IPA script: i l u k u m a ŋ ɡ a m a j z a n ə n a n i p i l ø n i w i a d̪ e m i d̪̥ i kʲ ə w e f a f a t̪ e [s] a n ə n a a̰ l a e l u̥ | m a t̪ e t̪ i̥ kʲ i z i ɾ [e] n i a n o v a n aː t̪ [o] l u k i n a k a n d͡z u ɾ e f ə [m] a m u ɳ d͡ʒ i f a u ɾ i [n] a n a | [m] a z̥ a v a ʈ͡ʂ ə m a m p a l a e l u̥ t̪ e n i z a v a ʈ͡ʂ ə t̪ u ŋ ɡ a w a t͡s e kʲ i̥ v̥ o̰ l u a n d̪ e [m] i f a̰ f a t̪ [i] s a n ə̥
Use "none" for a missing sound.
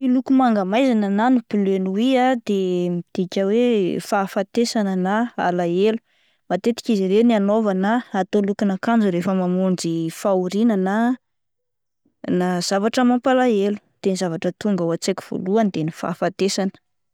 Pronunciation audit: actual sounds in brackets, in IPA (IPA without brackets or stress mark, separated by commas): s, e, o, m, n, n, n, e